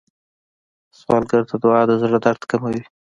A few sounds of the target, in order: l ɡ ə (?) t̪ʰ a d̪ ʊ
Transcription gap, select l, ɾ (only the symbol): ɾ